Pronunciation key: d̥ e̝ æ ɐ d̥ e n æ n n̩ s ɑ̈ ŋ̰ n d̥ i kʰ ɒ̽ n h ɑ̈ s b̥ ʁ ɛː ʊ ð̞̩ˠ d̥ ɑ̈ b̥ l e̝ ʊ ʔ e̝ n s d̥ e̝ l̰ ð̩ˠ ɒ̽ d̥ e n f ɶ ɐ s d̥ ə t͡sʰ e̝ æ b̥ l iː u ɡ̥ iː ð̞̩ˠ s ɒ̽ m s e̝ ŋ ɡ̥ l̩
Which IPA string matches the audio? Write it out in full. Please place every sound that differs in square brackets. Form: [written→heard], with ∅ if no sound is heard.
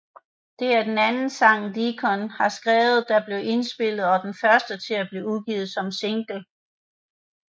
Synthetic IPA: d̥ e̝ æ ɐ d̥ e n æ n n̩ s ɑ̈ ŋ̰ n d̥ i kʰ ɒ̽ n h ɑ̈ s [b̥→ɡ̥] ʁ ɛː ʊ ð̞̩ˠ d̥ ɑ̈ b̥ l e̝ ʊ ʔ e̝ n s [d̥→b̥] e̝ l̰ ð̩ˠ ɒ̽ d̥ e n f ɶ ɐ s d̥ ə t͡sʰ e̝ æ b̥ l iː u ɡ̥ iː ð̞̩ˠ s ɒ̽ m s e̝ ŋ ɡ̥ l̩